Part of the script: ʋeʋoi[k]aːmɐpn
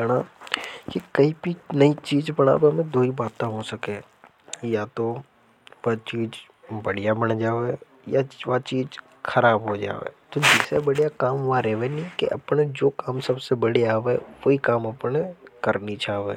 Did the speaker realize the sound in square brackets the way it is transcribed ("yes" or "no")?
yes